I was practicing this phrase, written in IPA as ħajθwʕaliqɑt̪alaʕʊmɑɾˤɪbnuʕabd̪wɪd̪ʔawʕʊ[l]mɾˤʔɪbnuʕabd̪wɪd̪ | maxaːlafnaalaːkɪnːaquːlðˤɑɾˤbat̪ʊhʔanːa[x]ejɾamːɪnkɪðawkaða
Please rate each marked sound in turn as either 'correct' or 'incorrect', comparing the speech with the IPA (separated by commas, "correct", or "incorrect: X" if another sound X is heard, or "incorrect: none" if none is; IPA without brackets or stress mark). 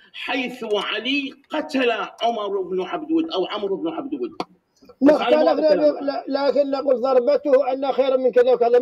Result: incorrect: none, correct